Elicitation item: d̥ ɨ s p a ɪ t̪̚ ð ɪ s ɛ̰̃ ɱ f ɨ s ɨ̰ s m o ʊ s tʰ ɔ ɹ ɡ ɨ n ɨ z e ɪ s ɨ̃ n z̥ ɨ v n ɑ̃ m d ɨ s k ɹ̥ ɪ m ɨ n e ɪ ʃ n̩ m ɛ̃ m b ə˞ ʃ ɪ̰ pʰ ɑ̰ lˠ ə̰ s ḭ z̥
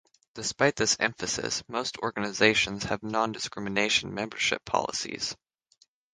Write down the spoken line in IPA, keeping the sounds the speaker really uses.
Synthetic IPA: d̥ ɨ s p a ɪ t̪̚ ð ɪ s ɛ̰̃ ɱ f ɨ s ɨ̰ s m o ʊ s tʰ ɔ ɹ ɡ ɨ n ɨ z e ɪ ʃ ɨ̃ n z̥ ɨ v n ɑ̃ n d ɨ s k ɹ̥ ɪ m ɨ n e ɪ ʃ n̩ m ɛ̃ m b ə˞ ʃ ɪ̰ pʰ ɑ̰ lˠ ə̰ s ḭ z̥